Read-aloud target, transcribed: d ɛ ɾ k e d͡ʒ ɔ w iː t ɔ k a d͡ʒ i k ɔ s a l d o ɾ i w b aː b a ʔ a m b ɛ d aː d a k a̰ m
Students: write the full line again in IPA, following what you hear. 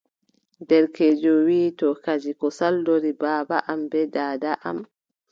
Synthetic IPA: d ɛ ɾ k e d͡ʒ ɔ w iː t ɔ k a d͡ʒ i k ɔ s a l d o ɾ i b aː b a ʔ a m b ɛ d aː d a ʔ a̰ m